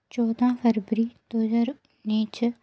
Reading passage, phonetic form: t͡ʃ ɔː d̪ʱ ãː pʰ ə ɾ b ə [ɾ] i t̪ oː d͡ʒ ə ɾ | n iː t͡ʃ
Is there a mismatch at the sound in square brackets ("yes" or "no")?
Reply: no